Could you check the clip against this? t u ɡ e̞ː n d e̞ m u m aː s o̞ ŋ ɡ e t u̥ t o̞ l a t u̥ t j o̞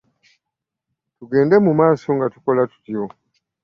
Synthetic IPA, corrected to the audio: t u ɡ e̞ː n d e̞ m u m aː s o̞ ŋ ɡ a t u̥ k o̞ l a t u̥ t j o̞